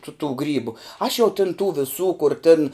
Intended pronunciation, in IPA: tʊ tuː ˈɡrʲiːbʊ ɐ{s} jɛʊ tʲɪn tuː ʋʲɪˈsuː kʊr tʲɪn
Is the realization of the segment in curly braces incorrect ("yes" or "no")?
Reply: yes